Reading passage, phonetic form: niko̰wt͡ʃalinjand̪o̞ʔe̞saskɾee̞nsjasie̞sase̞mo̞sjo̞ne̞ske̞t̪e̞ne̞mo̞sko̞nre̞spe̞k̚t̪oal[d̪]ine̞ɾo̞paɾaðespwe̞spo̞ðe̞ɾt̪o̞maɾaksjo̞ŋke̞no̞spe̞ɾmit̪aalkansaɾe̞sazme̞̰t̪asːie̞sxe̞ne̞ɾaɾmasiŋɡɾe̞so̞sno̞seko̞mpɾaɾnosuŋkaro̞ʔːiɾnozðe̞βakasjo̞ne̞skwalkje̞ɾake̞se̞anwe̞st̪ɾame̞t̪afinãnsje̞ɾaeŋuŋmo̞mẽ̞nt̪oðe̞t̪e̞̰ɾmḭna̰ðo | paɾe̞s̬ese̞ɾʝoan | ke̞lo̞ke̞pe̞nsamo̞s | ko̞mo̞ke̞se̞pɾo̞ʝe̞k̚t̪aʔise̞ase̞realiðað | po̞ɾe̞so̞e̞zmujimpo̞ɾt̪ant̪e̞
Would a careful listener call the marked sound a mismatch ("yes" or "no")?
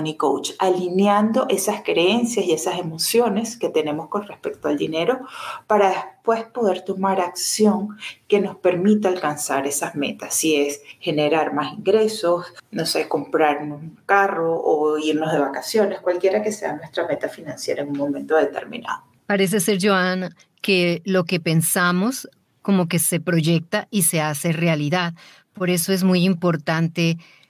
no